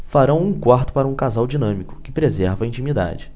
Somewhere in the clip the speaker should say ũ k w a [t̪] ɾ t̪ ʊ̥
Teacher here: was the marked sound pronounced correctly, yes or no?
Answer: no